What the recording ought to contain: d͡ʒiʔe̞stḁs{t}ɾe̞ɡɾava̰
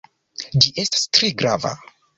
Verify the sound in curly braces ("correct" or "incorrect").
correct